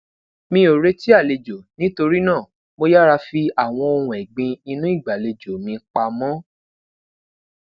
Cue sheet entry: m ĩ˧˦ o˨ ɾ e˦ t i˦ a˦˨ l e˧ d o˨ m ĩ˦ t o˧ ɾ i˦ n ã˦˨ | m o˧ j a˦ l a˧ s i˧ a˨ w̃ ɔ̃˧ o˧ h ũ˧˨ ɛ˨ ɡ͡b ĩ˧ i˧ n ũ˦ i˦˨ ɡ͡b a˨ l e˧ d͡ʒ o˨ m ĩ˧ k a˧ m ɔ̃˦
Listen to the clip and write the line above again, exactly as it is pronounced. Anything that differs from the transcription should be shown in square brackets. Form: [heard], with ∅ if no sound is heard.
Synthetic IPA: m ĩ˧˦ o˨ ɾ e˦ t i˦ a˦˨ l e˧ [d͡ʒ] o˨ [n] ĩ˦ t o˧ ɾ i˦ n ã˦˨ | m o˧ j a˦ [ɾ] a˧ [f] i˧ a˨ w̃ ɔ̃˧ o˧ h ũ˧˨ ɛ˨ ɡ͡b ĩ˧ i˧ n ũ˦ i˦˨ ɡ͡b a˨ l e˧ d͡ʒ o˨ m ĩ˧ [k͡p] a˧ m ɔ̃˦